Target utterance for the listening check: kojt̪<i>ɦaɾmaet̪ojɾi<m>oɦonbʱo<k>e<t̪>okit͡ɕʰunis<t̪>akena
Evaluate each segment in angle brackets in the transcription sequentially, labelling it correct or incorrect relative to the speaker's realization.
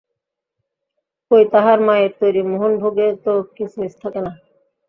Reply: incorrect: a, correct, incorrect: ɡ, correct, incorrect: t̪ʰ

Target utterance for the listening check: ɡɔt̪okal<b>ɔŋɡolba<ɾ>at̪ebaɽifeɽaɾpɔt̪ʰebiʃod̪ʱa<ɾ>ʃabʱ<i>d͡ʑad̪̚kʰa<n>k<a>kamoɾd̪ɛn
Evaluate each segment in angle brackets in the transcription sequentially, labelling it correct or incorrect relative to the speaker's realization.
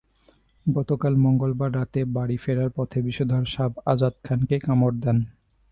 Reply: incorrect: m, incorrect: ɾː, correct, incorrect: a, correct, incorrect: e

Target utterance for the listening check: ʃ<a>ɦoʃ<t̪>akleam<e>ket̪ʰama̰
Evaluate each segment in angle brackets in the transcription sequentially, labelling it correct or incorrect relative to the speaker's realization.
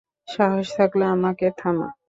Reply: correct, incorrect: t̪ʰ, incorrect: a

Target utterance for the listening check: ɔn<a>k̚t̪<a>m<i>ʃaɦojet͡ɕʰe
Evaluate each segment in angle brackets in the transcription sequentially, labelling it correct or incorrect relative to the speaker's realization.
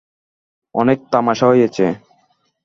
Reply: incorrect: e, correct, incorrect: a

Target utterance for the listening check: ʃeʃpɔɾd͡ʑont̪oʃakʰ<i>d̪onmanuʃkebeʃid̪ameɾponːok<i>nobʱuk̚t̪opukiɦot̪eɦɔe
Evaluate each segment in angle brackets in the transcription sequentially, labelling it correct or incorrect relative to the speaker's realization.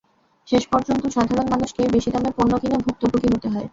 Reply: incorrect: a, correct

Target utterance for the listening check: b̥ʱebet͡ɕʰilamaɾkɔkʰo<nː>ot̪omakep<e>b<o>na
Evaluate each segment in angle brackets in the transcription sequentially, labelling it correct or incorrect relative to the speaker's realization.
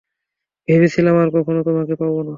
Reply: incorrect: n, incorrect: a, correct

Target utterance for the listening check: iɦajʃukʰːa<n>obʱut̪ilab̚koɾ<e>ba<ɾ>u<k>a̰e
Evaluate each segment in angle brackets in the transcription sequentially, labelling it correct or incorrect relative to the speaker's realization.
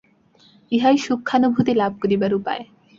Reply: correct, incorrect: i, correct, incorrect: p

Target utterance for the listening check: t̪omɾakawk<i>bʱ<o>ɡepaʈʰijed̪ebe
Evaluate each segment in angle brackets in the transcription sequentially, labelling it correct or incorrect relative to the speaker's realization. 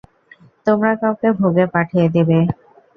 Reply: incorrect: e, correct

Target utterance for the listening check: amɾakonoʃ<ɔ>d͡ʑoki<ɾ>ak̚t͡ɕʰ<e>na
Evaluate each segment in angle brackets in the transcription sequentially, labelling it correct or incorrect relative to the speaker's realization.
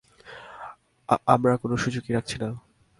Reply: incorrect: u, correct, incorrect: i

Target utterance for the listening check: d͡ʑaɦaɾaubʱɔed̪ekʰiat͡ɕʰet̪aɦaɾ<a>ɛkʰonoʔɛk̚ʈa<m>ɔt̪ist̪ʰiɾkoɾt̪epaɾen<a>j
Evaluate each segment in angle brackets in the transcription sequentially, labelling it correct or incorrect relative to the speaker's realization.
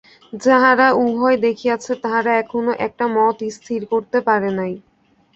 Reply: correct, correct, correct

